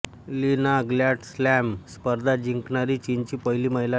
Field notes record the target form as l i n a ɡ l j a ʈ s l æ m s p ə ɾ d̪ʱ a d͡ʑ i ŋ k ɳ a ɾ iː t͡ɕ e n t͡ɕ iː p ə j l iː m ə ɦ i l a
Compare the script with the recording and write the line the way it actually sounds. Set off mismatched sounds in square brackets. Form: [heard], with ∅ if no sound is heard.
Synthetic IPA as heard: l i n a ɡ l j a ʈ s l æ m s p ə ɾ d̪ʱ a d͡ʑ i ŋ k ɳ a ɾ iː t͡ɕ [i] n t͡ɕ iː p ə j l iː m ə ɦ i l a